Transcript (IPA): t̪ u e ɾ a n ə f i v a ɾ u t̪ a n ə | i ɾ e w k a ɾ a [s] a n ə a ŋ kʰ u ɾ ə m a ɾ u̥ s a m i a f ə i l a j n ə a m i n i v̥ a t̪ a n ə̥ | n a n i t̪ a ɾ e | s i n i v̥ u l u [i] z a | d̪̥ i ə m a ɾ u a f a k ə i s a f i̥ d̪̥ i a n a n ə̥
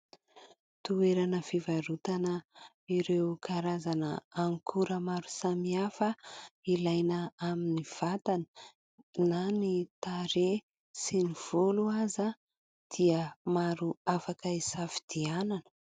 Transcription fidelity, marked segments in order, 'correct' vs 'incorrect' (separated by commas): incorrect, incorrect